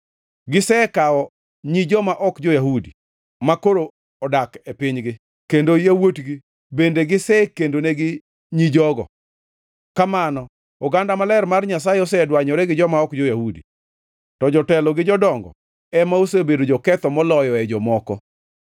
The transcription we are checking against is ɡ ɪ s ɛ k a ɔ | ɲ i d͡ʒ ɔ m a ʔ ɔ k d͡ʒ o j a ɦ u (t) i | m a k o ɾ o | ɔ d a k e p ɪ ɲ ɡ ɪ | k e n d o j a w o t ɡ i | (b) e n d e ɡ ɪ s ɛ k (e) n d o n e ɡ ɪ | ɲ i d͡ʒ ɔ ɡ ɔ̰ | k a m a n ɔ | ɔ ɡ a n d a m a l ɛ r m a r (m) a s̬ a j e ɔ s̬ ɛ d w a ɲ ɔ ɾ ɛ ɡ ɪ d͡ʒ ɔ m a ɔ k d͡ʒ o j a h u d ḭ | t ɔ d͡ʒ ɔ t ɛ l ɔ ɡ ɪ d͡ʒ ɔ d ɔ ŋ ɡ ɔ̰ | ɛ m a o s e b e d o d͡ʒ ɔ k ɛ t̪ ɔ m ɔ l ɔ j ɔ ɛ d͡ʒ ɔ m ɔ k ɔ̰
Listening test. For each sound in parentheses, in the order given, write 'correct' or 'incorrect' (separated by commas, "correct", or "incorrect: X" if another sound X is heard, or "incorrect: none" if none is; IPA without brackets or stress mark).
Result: incorrect: d, correct, correct, incorrect: ɲ